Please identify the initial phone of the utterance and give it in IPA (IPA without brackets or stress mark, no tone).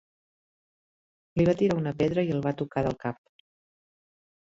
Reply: l